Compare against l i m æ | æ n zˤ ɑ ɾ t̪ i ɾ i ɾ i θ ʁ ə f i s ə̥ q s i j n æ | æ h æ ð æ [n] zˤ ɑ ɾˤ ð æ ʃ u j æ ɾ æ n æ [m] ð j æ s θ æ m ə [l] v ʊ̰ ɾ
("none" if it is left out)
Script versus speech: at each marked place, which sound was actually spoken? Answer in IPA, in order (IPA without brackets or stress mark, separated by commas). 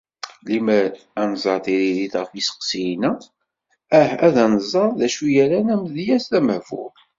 n, m, none